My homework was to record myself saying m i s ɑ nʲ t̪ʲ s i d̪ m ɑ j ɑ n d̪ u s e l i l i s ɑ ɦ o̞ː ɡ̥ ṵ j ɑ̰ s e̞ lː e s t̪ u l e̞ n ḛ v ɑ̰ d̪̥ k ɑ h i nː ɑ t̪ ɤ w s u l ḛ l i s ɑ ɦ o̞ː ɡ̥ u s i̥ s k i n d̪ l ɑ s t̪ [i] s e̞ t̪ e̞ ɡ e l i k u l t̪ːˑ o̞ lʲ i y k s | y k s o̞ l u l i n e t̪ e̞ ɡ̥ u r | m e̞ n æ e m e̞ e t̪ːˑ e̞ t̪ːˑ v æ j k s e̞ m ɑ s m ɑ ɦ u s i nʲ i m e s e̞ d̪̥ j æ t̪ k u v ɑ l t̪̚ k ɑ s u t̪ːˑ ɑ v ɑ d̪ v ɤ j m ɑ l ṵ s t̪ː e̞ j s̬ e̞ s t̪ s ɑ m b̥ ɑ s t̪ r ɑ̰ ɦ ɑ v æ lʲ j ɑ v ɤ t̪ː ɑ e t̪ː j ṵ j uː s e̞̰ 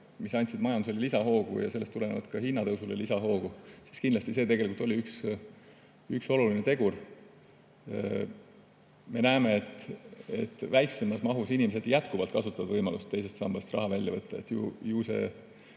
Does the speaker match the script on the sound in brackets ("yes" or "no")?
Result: yes